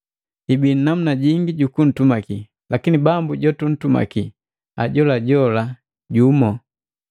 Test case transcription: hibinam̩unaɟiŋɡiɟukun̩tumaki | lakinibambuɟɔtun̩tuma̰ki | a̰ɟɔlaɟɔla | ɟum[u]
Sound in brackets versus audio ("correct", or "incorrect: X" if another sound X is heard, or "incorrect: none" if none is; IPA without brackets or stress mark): incorrect: ɔ